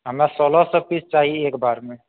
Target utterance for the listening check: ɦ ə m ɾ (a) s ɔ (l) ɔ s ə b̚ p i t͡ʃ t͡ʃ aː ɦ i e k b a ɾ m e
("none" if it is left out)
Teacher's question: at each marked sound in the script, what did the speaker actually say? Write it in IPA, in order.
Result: a, l

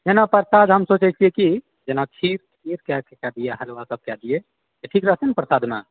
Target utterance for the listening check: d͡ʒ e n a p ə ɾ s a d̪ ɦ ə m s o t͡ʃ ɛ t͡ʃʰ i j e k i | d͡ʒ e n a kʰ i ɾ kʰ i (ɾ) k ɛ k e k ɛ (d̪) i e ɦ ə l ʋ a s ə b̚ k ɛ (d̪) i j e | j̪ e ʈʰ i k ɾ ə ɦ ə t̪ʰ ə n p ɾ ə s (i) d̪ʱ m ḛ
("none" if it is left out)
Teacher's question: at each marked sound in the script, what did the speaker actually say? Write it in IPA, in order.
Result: ɾ, d̪, d̪, a

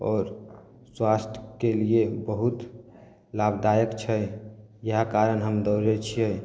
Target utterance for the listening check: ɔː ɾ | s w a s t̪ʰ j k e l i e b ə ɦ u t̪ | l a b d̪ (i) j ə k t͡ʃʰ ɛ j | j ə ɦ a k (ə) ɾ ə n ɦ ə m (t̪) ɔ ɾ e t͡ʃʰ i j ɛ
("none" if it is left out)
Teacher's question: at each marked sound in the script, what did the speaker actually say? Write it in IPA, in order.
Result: a, a, d̪

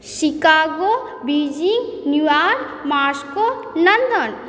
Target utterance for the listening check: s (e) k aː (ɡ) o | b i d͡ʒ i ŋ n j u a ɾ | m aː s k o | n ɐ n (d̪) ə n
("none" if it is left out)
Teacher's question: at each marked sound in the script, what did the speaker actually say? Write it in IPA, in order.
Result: i, ɡ, d̪

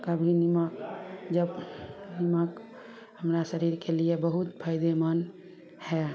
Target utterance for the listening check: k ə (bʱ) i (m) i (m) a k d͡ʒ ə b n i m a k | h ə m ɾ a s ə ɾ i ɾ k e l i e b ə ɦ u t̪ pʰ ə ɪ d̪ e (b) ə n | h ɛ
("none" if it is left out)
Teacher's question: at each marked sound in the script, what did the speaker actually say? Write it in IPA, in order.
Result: bʱ, n, m, m

